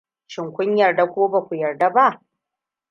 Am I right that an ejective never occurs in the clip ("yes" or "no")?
yes